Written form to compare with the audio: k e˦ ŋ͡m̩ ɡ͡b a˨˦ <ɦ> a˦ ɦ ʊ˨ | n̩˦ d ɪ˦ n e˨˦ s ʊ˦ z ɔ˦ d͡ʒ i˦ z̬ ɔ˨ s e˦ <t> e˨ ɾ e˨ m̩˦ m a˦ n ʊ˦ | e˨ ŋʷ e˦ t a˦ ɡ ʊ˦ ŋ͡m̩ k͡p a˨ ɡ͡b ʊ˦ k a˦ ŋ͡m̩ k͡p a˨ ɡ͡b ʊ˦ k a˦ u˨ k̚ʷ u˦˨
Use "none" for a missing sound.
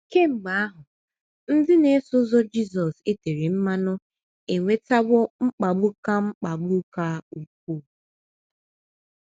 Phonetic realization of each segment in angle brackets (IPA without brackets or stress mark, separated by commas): none, t